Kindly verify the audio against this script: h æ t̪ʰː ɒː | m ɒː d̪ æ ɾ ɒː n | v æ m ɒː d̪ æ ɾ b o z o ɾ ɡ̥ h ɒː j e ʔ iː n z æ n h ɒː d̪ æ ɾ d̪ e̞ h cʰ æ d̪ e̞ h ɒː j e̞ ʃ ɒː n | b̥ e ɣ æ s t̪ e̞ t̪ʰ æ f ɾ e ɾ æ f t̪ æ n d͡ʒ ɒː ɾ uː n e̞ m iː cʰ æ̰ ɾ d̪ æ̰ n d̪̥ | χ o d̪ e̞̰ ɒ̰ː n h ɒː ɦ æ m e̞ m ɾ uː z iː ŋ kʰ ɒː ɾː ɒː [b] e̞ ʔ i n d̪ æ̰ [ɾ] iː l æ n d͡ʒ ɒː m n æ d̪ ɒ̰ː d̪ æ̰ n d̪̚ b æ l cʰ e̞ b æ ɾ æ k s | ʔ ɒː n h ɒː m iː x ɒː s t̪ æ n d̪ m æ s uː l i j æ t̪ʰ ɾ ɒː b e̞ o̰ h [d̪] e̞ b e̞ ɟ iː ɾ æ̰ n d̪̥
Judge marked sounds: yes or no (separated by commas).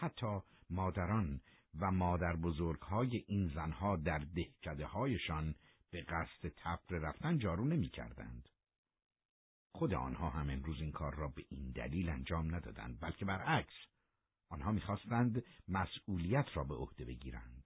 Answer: yes, no, yes